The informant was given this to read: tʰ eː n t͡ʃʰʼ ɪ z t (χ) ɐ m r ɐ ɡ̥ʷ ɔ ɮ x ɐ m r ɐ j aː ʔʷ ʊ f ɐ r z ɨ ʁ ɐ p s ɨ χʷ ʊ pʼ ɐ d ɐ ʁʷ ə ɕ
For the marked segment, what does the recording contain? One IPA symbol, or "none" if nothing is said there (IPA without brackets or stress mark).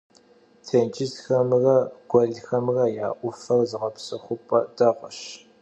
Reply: x